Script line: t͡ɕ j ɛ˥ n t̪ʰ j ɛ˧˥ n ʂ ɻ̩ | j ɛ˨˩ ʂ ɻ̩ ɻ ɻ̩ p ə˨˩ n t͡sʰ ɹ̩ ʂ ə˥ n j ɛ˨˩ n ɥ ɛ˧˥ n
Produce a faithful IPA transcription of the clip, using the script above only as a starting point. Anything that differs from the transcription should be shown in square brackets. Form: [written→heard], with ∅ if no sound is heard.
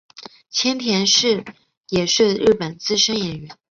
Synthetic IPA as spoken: [t͡ɕ→t͡ɕʰ] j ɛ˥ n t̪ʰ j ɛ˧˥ n ʂ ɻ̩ | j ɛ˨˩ ʂ ɻ̩ ɻ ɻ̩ p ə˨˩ n [t͡sʰ→t͡s] ɹ̩ ʂ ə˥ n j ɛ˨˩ n ɥ ɛ˧˥ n